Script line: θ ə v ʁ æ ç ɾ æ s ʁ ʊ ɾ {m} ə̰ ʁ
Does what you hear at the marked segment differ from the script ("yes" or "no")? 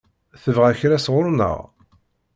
yes